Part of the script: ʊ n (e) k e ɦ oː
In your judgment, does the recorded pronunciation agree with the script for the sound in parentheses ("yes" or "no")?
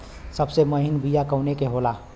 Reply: yes